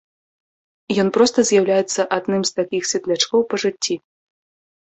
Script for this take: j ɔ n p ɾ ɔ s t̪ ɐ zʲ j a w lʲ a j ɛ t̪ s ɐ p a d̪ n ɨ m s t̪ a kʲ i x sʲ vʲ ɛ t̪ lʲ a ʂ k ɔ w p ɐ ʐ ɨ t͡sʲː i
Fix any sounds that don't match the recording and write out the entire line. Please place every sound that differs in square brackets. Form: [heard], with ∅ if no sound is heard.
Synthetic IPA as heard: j ɔ n p ɾ ɔ s t̪ ɐ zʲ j a w lʲ a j ɛ t̪ [sː] ɐ [ʔ] a d̪ n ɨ m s t̪ a kʲ i x sʲ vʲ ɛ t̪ lʲ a [t͡ʂ] k ɔ w p ɐ ʐ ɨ t͡sʲː i